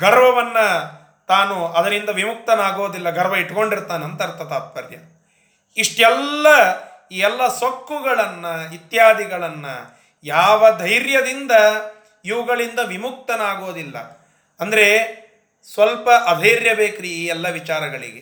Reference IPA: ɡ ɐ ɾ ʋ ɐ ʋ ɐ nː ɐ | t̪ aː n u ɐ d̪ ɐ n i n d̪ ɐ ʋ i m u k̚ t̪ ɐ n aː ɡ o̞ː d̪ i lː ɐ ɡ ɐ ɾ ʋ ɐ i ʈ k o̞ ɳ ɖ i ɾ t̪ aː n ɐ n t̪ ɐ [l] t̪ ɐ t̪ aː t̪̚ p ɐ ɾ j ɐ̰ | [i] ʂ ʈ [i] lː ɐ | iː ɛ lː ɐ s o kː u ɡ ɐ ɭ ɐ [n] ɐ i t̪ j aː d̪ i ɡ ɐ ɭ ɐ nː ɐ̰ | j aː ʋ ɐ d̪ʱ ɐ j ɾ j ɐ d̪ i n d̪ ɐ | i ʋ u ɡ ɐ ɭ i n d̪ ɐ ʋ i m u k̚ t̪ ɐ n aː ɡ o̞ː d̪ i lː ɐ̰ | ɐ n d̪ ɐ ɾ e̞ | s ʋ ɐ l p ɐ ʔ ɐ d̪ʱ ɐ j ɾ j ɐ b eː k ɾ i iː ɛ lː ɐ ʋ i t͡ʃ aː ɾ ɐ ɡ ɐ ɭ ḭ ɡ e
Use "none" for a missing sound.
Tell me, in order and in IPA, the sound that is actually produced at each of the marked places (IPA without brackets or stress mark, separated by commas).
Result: ɾ, i, ɛ, nː